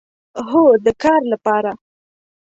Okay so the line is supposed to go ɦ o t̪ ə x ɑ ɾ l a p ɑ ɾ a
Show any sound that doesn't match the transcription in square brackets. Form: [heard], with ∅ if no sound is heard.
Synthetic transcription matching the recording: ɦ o [d̪] ə [k] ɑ ɾ l a p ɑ ɾ a